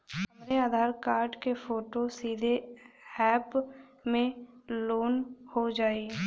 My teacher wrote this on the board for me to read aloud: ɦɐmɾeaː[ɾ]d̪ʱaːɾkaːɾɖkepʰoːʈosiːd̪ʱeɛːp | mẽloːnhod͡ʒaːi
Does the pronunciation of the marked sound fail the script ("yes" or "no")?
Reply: yes